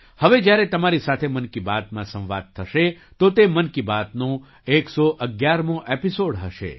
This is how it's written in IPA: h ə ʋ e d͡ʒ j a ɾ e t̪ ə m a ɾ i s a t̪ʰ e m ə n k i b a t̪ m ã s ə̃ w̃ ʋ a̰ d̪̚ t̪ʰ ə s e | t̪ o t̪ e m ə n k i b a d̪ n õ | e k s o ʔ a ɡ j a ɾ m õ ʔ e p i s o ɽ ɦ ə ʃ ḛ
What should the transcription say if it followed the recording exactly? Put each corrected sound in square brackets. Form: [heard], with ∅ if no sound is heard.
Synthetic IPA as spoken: h ə ʋ e d͡ʒ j a ɾ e t̪ ə m a ɾ i s a t̪ʰ e m ə n k i b a t̪ m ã s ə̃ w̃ ʋ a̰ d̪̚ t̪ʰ ə [ʃ] e | t̪ o t̪ e m ə n k i b a [t̪] n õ | e k s o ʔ [ə] ɡ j a ɾ m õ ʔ e p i s o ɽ ɦ ə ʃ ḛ